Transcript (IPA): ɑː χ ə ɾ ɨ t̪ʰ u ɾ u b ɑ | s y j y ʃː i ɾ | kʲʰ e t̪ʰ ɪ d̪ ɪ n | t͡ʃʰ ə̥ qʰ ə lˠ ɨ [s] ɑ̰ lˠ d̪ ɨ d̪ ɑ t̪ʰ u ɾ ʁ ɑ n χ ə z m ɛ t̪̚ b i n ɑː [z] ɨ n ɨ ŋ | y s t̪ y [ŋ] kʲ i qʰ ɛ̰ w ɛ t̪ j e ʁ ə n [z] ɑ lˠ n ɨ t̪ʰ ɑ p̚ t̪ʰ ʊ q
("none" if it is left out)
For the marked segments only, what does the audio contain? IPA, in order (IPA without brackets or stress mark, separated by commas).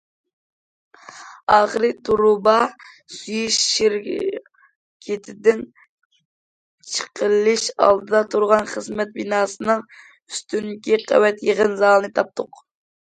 ʃ, s, n, z